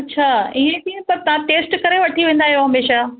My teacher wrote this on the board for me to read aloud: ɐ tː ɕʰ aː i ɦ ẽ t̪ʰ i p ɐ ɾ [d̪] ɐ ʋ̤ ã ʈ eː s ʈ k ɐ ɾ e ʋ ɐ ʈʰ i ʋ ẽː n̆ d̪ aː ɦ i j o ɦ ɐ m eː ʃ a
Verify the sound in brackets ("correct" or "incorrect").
incorrect